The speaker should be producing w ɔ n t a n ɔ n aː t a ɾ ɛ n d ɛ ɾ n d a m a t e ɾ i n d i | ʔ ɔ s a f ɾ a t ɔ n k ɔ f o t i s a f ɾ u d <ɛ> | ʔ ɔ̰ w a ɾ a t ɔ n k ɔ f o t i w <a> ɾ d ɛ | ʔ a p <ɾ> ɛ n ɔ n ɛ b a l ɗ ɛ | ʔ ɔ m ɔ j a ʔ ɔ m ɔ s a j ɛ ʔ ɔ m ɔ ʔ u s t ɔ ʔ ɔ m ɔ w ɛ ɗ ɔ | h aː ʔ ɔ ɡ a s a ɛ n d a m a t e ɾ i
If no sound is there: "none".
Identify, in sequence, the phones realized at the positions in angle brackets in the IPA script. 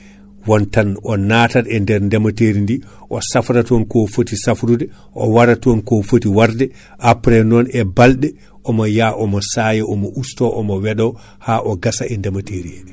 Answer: ɛ, a, ɾ

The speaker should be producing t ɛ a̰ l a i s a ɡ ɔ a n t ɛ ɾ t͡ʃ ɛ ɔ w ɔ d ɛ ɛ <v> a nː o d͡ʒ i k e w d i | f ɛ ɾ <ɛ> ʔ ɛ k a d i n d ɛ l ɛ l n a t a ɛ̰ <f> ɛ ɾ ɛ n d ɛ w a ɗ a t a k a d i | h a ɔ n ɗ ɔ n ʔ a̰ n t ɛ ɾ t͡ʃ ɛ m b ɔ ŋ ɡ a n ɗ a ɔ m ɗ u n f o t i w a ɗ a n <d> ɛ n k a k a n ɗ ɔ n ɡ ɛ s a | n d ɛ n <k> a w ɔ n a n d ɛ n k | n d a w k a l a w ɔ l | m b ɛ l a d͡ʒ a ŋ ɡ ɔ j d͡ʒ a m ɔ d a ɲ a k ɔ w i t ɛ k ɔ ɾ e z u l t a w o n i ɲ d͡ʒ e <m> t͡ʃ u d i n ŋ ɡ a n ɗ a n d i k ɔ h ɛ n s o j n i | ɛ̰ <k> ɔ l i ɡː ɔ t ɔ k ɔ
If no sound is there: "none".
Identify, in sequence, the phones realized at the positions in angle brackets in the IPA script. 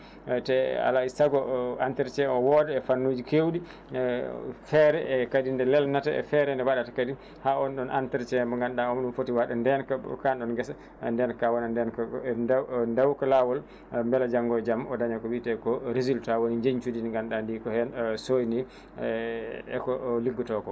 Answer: f, ɛ, f, d, k, ɲ, k

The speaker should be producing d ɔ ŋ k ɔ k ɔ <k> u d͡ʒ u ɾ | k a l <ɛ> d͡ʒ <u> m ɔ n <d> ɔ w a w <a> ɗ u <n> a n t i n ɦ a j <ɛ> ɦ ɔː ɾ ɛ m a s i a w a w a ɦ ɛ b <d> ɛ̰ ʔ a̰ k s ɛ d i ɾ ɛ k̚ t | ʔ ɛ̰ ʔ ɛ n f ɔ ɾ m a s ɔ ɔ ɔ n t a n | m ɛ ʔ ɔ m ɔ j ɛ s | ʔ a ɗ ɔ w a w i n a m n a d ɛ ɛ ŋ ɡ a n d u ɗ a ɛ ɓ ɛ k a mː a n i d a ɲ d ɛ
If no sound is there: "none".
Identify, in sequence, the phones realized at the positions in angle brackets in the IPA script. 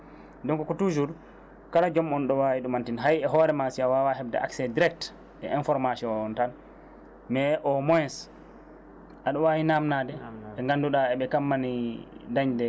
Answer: t, a, ɔ, ɗ, i, m, ɛ, d

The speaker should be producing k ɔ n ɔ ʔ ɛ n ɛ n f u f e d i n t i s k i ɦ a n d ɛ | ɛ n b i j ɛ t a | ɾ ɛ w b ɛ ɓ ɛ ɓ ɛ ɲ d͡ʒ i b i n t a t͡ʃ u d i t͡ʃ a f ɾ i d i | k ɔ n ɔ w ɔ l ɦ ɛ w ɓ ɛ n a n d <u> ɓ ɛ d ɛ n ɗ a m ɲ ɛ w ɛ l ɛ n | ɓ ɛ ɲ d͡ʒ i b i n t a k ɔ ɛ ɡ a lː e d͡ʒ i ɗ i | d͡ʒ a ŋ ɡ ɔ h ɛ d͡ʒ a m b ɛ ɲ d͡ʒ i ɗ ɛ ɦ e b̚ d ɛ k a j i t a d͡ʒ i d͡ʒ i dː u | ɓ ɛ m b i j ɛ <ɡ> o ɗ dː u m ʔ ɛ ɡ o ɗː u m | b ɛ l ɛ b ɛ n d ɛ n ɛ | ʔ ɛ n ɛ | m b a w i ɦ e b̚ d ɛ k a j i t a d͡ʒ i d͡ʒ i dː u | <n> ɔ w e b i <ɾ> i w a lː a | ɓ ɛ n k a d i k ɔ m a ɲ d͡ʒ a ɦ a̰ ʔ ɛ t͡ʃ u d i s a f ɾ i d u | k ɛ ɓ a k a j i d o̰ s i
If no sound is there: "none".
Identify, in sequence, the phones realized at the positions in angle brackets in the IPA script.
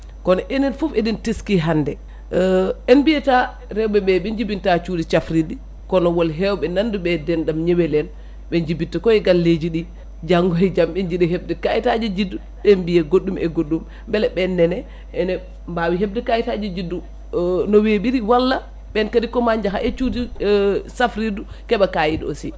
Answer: u, ɡ, n, ɾ

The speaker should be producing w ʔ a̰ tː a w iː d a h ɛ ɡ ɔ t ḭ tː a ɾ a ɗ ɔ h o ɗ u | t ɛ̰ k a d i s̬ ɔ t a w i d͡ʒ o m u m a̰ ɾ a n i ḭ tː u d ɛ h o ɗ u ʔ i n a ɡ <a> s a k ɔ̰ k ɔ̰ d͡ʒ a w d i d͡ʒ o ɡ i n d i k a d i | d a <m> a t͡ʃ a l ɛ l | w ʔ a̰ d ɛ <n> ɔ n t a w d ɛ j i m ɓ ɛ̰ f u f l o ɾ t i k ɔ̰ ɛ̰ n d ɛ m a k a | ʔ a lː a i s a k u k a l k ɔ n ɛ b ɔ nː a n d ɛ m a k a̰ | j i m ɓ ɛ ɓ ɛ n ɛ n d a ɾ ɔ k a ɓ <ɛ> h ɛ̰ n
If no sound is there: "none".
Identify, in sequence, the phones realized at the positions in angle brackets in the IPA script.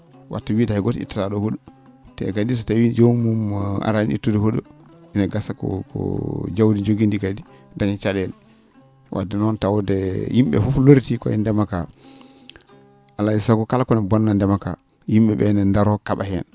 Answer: a, ɲ, n, a

